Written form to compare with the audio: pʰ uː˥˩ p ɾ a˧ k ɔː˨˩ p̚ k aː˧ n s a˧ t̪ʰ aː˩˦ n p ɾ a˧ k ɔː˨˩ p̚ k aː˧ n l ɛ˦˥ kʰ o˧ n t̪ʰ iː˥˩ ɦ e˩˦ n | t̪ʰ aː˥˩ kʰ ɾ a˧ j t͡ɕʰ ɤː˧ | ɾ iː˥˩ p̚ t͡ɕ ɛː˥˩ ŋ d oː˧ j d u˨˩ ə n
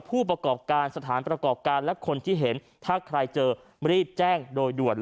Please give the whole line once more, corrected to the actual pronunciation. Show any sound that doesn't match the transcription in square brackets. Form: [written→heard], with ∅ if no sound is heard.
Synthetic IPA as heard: pʰ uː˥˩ p ɾ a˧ k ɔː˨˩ p̚ k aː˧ n s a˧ t̪ʰ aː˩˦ n p ɾ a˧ k ɔː˨˩ p̚ k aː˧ n l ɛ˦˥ kʰ o˧ n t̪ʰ iː˥˩ ɦ e˩˦ n | t̪ʰ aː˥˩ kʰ ɾ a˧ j [t͡ɕʰ→t͡ɕ] ɤː˧ | ɾ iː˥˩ p̚ t͡ɕ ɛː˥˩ ŋ d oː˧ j d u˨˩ ə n